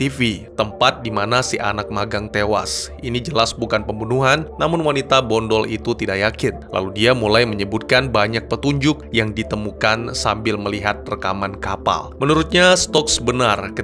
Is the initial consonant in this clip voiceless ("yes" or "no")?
yes